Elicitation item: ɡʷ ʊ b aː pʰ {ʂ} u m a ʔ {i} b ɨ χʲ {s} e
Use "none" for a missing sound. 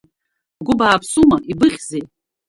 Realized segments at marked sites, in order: s, i, z

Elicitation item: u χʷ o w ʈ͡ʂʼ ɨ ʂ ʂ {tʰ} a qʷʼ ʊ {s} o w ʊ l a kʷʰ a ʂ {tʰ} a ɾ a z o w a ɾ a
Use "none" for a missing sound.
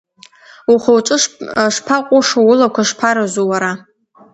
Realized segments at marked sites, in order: pʰ, ʂ, pʰ

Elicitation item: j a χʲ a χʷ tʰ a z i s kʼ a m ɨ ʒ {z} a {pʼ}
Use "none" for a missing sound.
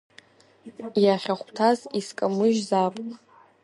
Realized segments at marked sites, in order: z, pʼ

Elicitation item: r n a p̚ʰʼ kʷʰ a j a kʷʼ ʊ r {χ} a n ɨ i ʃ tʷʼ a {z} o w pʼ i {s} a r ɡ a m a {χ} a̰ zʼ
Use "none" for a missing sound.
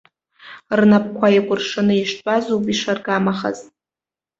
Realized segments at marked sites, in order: ʂ, z, ʂ, χ

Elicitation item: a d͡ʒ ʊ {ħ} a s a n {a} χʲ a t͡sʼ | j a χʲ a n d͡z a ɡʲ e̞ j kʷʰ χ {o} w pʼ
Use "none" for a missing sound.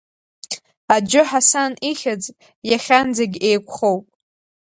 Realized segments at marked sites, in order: ħ, i, o

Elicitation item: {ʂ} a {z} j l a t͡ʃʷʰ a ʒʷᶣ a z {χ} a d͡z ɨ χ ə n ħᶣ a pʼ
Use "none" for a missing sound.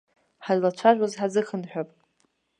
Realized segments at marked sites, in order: ħ, none, ħ

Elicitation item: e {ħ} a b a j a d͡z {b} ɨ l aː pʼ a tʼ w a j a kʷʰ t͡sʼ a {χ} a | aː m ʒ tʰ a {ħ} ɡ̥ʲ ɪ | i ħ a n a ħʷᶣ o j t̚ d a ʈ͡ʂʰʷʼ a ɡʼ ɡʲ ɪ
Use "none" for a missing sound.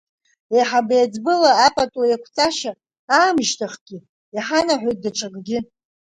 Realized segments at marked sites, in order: ħ, b, ʃ, χ

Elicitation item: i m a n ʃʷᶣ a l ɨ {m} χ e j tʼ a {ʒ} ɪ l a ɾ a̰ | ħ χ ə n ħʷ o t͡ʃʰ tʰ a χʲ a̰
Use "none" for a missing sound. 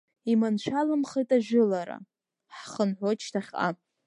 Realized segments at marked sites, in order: m, ʒ

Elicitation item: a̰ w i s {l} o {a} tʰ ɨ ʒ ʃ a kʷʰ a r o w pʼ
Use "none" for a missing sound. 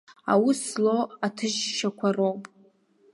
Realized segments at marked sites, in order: l, a

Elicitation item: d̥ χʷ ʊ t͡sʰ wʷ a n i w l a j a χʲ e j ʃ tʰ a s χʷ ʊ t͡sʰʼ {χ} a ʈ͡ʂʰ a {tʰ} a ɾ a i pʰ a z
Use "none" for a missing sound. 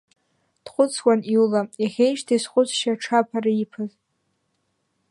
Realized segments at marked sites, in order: ʃ, pʰ

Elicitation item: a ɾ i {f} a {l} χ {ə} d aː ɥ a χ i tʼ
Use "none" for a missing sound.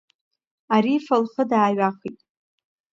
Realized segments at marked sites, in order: f, l, ə

